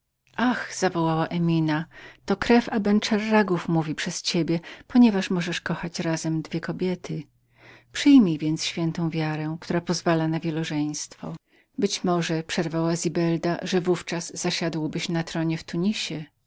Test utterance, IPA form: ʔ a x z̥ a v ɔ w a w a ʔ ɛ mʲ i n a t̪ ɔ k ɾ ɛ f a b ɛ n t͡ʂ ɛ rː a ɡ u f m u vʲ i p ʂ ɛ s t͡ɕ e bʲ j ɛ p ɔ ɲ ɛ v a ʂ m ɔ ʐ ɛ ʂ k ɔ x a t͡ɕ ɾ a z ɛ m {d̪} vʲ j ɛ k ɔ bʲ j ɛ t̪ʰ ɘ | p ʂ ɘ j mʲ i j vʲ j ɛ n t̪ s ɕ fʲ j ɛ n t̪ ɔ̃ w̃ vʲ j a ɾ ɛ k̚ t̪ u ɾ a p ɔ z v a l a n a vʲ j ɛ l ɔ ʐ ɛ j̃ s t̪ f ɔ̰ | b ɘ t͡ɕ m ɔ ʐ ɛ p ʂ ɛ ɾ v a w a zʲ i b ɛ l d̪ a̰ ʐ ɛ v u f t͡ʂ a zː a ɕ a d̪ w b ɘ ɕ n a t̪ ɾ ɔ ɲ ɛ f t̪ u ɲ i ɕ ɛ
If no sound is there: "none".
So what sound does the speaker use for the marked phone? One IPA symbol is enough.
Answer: d̪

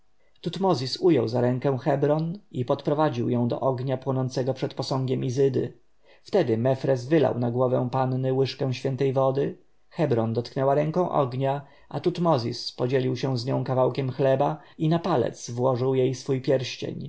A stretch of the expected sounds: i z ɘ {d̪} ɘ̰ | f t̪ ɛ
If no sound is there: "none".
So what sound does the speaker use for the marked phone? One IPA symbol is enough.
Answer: d̪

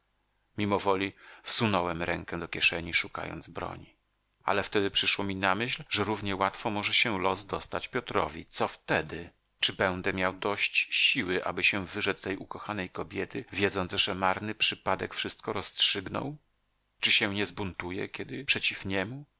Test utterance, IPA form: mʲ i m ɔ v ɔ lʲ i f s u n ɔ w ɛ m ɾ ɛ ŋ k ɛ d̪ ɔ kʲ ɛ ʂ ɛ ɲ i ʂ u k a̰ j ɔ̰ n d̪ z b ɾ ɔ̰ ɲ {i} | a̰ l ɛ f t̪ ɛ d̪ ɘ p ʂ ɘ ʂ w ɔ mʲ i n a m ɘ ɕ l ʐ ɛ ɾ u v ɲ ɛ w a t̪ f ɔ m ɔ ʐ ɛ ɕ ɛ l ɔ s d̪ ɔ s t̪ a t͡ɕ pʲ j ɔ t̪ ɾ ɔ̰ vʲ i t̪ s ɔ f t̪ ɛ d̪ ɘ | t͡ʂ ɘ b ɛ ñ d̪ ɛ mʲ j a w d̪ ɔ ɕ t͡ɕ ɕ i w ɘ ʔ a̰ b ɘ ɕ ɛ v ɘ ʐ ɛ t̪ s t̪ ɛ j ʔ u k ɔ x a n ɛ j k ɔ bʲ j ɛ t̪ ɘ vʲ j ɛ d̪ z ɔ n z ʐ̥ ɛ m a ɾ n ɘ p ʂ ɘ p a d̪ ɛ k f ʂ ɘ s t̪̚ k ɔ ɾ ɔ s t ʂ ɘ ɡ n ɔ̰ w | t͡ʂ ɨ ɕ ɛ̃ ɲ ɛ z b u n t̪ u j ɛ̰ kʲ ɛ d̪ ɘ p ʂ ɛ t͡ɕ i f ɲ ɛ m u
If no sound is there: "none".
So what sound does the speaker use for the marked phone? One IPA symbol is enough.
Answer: i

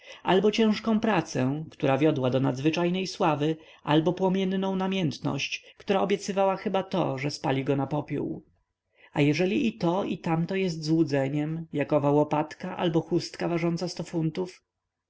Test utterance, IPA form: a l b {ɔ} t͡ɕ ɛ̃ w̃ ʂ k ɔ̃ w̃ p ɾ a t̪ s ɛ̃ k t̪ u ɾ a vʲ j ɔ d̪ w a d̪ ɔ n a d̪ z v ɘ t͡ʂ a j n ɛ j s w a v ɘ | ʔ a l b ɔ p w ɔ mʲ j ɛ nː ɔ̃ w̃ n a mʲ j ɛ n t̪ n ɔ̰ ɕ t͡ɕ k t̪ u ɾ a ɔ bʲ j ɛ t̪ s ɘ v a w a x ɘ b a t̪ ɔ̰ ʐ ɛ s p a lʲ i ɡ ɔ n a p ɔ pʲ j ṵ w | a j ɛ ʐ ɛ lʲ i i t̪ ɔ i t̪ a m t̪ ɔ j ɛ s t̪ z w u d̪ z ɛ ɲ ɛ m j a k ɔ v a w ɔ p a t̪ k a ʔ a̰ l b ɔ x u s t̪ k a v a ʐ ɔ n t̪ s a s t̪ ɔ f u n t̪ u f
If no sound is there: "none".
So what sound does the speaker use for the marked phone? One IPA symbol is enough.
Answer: ɔ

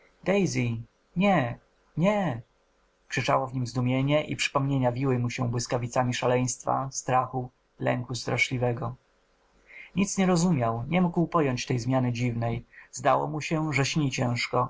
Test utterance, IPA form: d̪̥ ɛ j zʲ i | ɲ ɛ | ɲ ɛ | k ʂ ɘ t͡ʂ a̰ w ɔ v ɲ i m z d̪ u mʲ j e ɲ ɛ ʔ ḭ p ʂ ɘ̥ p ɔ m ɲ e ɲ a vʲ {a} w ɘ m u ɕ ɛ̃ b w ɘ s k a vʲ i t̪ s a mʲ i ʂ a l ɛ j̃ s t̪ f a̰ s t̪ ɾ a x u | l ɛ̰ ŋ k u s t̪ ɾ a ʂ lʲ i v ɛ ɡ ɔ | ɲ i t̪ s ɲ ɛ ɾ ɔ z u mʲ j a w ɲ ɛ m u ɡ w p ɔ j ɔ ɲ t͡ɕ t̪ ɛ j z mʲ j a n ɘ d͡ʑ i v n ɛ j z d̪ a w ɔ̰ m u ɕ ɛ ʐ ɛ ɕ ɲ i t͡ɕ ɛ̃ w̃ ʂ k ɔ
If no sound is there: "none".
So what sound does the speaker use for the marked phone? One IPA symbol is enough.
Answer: i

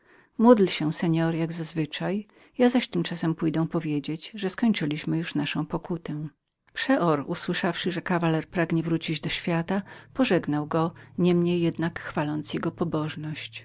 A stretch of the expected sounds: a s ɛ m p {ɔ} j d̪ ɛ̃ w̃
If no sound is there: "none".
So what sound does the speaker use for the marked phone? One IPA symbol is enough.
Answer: u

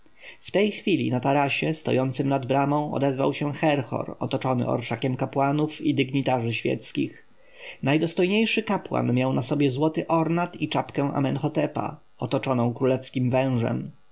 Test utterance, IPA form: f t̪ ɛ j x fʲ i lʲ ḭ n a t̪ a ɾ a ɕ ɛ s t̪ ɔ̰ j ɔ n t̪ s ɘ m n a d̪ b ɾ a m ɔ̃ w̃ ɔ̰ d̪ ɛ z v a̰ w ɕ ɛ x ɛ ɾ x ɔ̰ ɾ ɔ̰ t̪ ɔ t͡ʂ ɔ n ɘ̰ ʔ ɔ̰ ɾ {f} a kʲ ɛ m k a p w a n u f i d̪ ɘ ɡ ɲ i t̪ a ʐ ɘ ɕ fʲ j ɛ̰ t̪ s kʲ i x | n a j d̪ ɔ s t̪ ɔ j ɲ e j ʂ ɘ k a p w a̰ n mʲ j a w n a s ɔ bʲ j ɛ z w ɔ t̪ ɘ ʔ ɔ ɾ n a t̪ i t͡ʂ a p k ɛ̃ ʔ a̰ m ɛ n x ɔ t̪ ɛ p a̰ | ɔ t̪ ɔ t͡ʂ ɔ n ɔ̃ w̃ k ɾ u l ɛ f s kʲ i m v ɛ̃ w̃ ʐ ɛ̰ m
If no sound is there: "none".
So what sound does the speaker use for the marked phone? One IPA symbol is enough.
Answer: ʂ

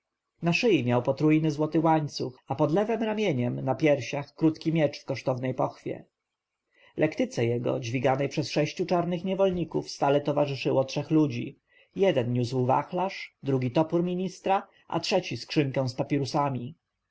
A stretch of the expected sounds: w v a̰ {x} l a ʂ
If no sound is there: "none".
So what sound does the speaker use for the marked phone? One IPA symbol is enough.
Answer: x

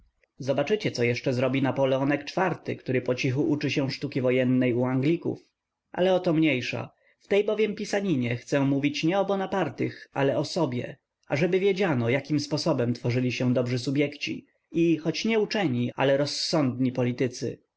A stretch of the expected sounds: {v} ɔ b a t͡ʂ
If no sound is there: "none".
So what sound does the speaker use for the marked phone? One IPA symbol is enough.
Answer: z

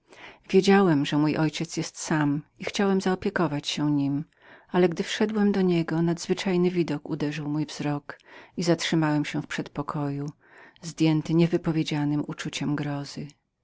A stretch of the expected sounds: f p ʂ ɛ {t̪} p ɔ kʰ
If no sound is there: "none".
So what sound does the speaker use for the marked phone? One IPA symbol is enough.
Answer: t̪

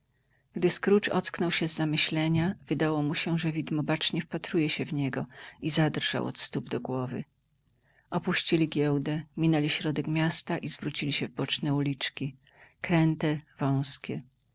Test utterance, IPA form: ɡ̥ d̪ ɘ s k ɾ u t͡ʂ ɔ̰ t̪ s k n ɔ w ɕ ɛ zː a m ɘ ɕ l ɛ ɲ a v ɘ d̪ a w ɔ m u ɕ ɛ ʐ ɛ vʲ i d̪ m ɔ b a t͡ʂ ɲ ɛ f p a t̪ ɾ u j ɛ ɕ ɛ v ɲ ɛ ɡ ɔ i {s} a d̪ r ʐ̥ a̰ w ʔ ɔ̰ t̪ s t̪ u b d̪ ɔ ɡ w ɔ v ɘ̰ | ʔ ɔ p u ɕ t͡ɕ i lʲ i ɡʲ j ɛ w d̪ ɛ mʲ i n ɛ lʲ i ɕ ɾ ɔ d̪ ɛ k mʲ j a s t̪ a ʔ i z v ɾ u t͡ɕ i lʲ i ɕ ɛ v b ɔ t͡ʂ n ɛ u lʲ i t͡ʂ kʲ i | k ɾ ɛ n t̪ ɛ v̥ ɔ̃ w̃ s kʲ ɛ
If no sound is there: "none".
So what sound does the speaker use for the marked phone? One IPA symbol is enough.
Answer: z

